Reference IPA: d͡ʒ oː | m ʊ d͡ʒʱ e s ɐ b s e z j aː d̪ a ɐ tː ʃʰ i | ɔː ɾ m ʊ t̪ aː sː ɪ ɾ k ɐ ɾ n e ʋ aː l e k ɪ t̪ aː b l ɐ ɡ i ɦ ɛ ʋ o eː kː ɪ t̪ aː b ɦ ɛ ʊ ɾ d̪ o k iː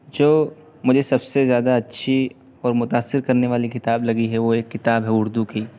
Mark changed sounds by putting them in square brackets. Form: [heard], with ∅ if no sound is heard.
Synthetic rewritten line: d͡ʒ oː | m ʊ d͡ʒʱ e s ɐ b s e z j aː d̪ a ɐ tː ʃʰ i | ɔː ɾ m ʊ t̪ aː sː ɪ ɾ k ɐ ɾ n e ʋ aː l [i] k ɪ t̪ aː b l ɐ ɡ i ɦ ɛ ʋ o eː kː ɪ t̪ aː b ɦ ɛ ʊ ɾ d̪ [u] k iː